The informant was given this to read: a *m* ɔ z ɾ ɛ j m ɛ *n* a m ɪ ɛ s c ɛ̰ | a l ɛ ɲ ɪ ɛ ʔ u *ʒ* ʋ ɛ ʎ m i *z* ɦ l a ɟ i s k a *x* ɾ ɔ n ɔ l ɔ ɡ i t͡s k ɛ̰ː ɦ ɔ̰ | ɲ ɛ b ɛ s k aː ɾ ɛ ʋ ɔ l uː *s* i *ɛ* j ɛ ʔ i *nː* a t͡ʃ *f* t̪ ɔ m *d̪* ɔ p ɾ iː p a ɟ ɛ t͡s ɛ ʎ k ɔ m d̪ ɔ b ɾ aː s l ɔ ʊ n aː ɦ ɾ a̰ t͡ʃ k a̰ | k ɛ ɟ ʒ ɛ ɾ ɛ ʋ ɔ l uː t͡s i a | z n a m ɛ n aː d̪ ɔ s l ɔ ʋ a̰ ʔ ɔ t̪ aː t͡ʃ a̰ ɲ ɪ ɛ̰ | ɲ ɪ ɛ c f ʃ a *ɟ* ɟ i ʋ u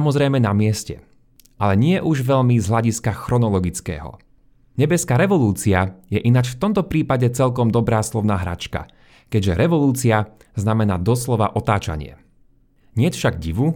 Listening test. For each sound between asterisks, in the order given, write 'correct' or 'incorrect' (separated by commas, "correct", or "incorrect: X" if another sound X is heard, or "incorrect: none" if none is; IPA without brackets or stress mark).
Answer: correct, correct, correct, correct, correct, incorrect: t͡s, incorrect: a, incorrect: n, correct, incorrect: t̪, incorrect: ɡ